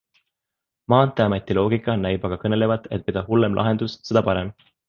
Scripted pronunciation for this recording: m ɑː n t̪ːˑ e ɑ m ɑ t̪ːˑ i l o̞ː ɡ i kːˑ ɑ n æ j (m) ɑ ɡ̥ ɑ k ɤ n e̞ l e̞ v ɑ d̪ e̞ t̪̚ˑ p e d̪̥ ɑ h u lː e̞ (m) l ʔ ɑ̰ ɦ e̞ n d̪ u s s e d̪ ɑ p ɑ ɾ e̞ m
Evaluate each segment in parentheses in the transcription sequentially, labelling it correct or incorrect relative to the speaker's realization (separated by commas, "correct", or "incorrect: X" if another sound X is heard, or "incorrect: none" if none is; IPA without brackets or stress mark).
incorrect: b, correct